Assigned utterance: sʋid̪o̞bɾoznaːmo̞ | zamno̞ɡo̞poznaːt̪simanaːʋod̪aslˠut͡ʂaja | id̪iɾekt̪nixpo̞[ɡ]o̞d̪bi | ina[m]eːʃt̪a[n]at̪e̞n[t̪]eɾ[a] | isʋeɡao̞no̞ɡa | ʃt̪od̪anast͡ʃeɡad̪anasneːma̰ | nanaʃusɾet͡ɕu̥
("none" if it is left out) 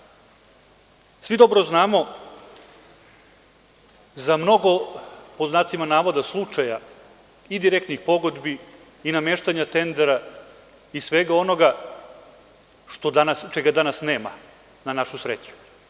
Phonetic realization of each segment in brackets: ɡ, m, ɲ, d̪, a

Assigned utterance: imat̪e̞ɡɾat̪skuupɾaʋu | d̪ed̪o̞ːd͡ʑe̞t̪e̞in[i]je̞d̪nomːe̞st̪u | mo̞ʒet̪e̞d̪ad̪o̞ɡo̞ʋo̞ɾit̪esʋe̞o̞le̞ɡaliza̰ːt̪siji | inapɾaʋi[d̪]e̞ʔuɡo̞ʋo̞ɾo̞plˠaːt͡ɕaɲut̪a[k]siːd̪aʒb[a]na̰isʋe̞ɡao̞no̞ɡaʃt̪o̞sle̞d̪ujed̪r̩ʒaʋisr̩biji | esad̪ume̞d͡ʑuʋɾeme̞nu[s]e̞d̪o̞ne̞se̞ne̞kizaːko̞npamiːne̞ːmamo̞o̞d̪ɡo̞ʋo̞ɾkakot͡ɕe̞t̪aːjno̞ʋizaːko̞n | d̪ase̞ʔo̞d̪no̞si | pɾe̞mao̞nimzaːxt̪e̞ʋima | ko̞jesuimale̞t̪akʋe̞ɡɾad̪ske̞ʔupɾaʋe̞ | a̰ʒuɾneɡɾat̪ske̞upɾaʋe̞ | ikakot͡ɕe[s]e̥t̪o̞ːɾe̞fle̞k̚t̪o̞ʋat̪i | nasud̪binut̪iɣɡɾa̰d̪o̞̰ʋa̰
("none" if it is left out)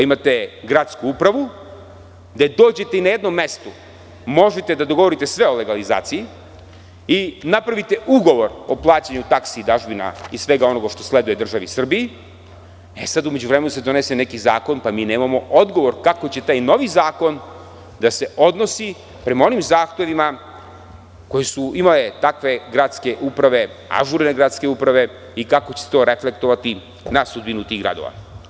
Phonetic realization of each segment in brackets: a, t̪, k, i, s, s

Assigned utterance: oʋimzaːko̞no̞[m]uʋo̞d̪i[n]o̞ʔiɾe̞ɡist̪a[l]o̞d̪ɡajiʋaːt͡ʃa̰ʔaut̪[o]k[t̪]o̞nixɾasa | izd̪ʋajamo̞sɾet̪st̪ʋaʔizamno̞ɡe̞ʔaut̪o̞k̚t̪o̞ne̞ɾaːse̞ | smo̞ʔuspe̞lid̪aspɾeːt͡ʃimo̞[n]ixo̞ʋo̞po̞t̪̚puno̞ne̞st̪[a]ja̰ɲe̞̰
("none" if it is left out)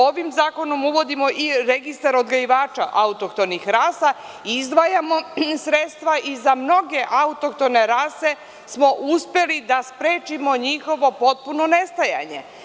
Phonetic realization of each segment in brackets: m, m, ɾ, o, t̪, ɲ, a

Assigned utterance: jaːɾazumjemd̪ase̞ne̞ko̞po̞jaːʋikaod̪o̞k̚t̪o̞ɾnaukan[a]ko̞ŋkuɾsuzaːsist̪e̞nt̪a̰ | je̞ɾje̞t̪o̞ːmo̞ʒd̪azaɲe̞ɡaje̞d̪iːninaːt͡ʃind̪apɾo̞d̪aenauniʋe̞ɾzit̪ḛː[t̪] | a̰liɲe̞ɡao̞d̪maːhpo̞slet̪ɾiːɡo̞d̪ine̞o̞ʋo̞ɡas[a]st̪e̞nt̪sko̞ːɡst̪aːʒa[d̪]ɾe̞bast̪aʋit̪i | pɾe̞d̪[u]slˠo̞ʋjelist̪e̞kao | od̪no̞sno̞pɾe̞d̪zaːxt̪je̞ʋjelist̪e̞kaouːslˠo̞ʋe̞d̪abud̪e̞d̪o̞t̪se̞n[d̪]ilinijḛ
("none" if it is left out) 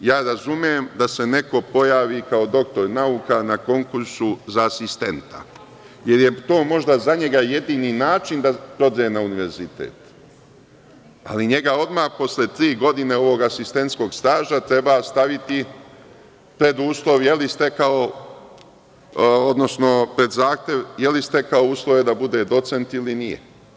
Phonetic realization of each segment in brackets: a, t̪, i, t̪, uː, t̪

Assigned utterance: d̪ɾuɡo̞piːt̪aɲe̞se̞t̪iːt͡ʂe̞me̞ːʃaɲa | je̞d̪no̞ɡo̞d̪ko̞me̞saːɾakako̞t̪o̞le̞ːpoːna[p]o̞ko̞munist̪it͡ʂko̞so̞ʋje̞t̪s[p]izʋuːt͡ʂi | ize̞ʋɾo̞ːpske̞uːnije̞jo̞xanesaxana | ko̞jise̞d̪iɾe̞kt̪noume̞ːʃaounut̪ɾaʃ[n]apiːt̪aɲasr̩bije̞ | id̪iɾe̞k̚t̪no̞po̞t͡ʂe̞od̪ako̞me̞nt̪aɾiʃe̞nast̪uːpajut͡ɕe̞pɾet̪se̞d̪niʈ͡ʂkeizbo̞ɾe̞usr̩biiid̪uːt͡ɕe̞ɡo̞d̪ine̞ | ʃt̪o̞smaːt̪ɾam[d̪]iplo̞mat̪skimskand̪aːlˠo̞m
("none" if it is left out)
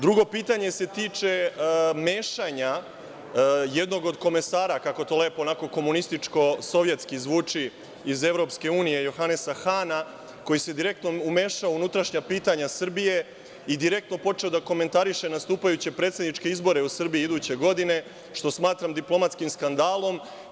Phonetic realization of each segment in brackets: k, k, ɲ, d̪

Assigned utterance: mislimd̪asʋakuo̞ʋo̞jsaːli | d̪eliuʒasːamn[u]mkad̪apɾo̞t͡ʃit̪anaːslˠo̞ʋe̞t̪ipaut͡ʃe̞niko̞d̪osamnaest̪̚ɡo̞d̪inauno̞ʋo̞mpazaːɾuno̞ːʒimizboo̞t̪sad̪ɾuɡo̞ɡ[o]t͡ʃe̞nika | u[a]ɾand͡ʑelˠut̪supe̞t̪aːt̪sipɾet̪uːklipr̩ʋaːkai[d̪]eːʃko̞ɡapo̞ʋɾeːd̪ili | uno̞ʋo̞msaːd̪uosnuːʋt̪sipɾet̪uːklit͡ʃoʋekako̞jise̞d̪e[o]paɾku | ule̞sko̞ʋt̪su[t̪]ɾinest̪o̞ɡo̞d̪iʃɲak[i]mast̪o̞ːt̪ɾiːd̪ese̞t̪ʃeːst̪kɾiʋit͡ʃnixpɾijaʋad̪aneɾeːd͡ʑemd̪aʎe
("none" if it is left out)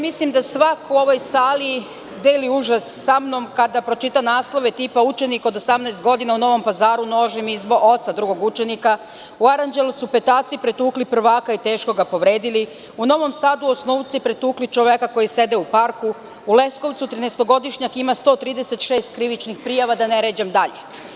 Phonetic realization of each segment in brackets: o, u, a, t̪, u, t̪, i

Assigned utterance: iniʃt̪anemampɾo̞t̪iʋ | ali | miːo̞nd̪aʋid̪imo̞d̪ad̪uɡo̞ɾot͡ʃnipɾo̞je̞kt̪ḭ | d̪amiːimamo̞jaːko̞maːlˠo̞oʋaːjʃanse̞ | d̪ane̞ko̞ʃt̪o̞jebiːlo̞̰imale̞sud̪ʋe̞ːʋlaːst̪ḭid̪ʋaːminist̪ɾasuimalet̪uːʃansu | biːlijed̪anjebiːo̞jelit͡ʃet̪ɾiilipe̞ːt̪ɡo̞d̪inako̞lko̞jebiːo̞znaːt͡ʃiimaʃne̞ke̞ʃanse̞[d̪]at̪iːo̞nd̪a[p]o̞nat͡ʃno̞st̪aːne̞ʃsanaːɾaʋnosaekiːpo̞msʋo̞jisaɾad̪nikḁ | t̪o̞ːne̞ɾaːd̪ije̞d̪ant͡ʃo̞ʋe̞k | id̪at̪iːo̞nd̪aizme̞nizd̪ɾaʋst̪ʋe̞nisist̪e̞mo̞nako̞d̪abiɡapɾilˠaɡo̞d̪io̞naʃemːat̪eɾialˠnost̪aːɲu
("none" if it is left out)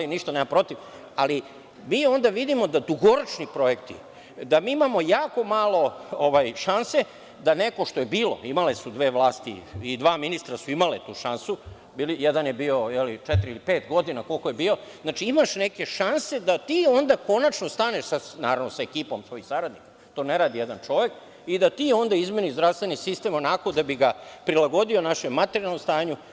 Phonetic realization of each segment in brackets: d̪, k

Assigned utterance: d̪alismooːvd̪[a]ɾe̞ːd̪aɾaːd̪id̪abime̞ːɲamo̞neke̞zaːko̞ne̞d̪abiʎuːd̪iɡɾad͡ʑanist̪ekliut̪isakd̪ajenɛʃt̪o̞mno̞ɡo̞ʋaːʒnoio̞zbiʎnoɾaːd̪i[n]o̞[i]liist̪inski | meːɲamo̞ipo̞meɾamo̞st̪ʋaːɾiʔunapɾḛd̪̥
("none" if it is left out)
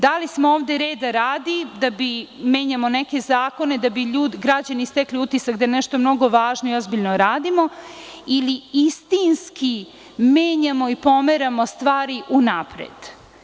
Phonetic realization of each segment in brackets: e, m, i

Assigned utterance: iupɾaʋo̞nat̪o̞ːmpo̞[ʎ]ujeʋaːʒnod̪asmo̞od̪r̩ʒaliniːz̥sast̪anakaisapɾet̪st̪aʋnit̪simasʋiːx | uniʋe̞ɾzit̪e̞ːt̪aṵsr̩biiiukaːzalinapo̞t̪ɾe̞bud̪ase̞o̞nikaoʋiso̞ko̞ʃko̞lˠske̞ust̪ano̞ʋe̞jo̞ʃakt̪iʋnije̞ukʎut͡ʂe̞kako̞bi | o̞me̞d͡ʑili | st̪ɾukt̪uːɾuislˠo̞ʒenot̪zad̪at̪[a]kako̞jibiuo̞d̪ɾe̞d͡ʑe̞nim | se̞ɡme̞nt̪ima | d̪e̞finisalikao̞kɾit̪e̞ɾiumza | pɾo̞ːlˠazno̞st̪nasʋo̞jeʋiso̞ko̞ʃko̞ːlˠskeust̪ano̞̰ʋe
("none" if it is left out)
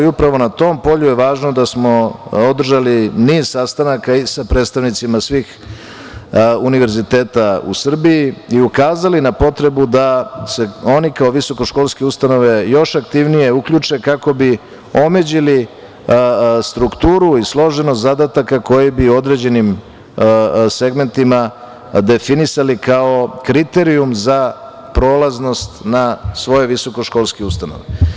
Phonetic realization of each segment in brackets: ʎ, a

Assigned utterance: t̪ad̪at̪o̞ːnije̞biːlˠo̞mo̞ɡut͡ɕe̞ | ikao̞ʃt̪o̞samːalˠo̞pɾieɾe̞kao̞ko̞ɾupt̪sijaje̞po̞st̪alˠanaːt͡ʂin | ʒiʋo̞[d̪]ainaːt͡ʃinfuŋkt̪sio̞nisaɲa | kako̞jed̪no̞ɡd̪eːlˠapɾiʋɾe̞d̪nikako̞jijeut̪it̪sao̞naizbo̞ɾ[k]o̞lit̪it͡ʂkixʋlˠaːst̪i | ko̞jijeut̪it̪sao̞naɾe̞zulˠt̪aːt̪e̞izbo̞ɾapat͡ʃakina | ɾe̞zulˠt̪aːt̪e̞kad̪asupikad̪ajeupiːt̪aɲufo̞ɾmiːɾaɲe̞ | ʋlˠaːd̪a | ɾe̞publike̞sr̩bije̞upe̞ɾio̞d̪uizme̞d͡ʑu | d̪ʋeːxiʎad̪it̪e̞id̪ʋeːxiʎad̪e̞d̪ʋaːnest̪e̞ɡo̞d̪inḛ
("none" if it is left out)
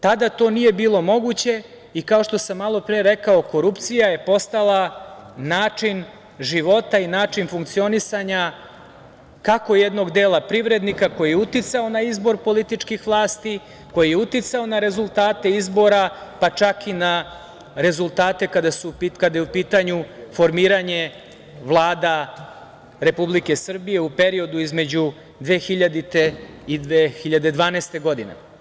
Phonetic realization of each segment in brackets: t̪, p

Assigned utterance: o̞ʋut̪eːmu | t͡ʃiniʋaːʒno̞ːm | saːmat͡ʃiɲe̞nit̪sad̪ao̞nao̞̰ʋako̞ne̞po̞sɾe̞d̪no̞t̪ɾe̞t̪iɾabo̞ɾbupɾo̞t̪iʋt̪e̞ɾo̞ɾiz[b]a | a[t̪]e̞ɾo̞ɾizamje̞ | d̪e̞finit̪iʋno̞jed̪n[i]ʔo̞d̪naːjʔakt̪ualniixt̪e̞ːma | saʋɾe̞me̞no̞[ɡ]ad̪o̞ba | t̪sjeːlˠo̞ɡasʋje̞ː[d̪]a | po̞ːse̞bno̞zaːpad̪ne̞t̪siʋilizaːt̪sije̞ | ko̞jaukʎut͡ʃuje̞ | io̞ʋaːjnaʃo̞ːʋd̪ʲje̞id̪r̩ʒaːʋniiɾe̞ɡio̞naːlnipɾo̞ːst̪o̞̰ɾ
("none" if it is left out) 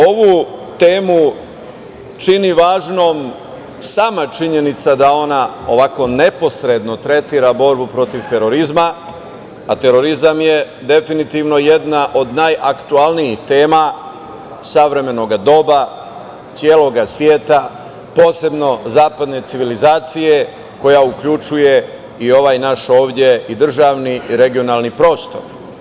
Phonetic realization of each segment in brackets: m, t̪, a, ɡ, t̪

